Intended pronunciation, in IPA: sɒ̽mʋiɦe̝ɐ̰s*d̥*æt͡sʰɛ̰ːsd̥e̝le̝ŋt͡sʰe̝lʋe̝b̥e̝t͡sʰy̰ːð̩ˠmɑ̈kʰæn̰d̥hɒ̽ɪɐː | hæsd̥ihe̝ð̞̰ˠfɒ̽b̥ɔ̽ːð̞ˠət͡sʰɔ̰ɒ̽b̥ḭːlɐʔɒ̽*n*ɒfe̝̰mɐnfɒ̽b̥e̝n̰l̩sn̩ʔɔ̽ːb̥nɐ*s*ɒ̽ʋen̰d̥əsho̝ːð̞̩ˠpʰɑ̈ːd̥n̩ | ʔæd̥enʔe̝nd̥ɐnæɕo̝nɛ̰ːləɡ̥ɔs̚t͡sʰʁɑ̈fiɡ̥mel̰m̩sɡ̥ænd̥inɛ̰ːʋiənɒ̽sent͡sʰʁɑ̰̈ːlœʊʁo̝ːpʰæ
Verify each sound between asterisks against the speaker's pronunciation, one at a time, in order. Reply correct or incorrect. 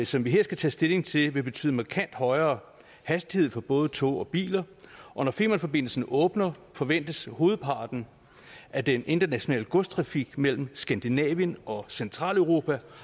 incorrect: ɡ̥, correct, incorrect: f

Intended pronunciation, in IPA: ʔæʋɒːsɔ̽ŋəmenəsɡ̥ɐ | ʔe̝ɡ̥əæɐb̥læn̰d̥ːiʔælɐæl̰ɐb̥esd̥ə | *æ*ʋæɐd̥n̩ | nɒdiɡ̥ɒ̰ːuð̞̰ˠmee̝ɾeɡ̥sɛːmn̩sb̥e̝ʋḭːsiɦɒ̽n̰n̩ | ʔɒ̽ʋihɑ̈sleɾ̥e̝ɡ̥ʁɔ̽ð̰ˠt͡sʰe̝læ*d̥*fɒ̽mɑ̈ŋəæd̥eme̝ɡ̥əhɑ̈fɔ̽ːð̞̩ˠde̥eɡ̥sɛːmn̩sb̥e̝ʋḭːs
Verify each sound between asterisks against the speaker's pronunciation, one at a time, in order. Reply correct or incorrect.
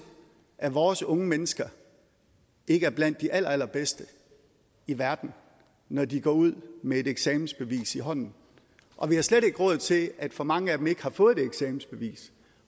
incorrect: i, correct

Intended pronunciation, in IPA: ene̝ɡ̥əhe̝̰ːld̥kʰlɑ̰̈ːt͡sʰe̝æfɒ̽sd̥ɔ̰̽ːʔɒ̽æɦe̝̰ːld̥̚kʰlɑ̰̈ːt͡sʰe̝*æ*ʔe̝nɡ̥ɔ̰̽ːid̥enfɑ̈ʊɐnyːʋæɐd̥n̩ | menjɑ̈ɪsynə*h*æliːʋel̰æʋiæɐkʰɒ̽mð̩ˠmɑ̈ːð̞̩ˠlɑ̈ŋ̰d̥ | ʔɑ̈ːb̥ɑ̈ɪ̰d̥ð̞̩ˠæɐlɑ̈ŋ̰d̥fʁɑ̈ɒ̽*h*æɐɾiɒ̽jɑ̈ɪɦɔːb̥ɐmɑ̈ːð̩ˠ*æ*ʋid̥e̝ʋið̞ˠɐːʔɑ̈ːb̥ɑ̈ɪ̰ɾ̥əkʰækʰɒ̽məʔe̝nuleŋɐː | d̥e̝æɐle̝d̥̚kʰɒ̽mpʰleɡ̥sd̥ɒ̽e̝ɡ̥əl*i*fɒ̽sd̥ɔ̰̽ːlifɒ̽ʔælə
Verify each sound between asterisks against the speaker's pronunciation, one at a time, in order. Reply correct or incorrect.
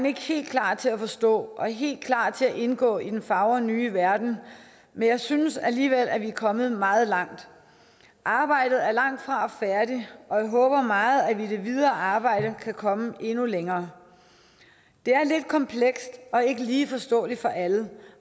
correct, incorrect: s, incorrect: f, correct, incorrect: iː

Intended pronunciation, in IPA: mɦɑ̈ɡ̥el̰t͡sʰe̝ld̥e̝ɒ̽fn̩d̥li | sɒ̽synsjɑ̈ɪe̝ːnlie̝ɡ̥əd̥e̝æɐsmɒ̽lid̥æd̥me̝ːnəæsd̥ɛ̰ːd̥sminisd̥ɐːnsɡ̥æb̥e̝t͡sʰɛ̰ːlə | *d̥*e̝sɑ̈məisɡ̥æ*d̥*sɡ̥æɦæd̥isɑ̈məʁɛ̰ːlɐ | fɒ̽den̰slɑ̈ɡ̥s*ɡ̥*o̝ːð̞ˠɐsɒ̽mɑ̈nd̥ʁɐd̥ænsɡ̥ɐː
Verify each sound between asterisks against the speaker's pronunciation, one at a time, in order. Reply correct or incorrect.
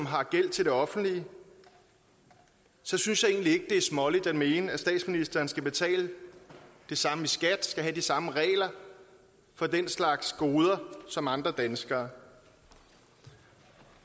correct, correct, correct

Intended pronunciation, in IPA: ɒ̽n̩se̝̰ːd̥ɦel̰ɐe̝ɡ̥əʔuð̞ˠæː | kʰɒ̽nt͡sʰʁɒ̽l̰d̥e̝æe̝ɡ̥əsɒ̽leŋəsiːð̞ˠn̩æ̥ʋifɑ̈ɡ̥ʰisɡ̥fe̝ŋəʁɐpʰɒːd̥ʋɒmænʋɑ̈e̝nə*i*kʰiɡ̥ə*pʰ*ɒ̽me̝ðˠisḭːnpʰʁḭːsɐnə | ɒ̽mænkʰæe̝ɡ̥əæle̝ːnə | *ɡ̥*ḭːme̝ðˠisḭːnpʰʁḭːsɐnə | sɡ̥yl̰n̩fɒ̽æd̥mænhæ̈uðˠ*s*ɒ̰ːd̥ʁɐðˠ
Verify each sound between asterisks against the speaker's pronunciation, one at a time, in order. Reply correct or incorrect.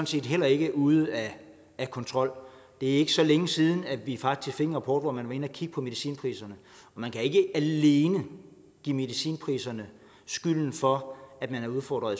incorrect: æ, correct, correct, incorrect: f

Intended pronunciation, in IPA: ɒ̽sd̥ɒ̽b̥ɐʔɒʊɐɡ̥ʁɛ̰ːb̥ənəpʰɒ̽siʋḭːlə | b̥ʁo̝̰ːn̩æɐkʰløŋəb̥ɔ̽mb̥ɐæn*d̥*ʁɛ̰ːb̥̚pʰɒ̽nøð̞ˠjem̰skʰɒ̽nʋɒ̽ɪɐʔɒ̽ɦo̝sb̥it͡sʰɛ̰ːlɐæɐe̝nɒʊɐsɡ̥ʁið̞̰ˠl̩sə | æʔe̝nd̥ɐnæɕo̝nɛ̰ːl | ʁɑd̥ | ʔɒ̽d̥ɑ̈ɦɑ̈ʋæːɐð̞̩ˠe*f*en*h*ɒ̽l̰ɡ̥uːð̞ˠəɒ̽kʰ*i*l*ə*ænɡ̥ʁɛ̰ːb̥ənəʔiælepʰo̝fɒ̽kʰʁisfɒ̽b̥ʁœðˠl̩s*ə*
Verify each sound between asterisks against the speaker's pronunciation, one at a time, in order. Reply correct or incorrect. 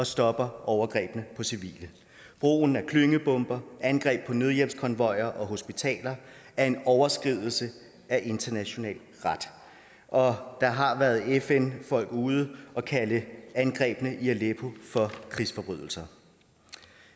incorrect: ɡ̥, correct, incorrect: f, incorrect: æ, correct, incorrect: ɐ

